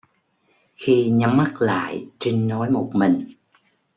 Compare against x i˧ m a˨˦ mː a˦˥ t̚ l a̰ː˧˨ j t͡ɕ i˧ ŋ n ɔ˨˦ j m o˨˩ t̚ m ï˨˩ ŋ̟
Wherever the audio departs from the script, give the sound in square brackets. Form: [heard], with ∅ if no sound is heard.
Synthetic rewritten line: x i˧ [ɲ] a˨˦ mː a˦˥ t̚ l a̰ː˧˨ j t͡ɕ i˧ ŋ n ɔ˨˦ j m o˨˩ t̚ m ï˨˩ ŋ̟